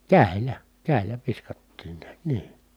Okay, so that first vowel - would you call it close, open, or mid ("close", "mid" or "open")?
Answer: open